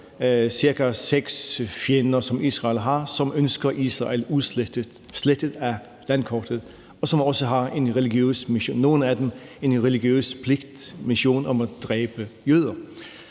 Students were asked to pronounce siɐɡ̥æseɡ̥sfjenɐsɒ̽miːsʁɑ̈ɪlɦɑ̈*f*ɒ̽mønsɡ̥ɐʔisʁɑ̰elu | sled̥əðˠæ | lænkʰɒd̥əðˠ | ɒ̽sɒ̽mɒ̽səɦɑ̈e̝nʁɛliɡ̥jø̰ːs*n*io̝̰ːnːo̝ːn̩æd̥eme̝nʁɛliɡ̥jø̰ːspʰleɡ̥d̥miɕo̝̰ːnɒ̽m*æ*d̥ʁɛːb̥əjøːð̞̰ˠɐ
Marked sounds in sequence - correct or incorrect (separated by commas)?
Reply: incorrect, incorrect, correct